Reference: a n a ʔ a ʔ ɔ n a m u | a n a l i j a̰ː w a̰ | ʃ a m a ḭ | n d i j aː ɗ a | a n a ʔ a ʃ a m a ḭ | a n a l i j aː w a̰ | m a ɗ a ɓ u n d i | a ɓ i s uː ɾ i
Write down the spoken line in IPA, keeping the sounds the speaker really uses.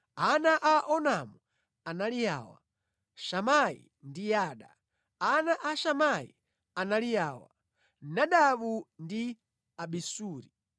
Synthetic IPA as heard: a n a ʔ a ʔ ɔ n a m u | a n a l i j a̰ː w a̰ | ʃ a m a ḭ | n d i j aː ɗ a | a n a ʔ a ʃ a m a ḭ | a n a l i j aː w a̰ | n a ɗ a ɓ u n d i | a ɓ i s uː ɾ i